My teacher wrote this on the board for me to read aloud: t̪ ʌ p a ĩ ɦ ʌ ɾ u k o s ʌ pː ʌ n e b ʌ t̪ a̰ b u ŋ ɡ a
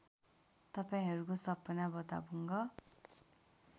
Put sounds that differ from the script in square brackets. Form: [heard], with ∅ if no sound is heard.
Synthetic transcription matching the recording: t̪ ʌ p a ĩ ɦ ʌ ɾ u k o s ʌ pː ʌ n [a] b ʌ t̪ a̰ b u ŋ ɡ [ʌ]